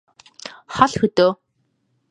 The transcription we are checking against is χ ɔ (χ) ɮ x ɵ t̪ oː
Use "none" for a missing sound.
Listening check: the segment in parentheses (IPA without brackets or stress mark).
none